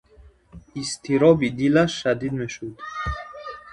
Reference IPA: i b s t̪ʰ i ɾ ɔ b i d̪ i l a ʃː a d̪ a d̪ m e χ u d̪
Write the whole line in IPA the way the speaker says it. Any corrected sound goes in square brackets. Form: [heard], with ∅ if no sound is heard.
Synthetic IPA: i [∅] s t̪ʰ i ɾ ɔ b i d̪ i l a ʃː a d̪ [i] d̪ m e [ʃ] u d̪